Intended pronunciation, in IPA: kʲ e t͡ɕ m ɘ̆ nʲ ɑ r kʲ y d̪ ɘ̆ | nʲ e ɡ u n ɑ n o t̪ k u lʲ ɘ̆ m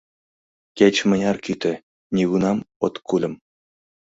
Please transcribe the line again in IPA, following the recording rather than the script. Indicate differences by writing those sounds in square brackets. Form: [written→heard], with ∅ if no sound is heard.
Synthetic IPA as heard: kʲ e t͡ɕ m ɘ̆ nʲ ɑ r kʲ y [d̪→t̪] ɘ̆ | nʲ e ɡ u n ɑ [n→m] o t̪ k u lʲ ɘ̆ m